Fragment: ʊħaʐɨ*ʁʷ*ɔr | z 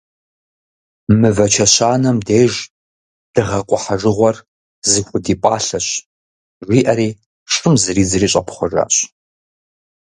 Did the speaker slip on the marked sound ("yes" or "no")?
no